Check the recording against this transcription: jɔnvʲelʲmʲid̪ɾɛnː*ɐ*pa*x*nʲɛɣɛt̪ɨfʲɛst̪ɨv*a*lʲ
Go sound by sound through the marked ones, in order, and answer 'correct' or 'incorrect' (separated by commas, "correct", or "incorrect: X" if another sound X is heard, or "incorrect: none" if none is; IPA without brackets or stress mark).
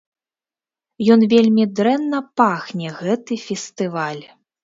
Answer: correct, correct, correct